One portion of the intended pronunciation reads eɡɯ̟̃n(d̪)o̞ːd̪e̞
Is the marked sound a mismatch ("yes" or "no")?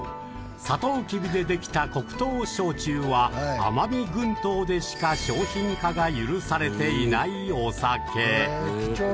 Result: yes